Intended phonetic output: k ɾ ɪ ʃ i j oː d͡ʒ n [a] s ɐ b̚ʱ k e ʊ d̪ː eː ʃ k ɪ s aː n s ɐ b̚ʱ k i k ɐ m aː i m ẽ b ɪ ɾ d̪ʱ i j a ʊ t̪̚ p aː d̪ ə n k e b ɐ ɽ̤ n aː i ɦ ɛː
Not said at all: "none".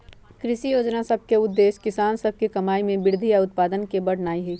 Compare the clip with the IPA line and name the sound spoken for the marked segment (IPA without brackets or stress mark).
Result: a